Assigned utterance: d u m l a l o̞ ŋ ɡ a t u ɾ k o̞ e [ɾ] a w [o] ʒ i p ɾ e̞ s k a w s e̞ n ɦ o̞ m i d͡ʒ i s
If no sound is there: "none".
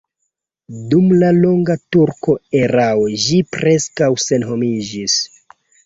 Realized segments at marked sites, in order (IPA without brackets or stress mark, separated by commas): ɾ, o